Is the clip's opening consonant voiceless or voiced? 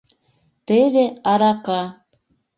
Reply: voiceless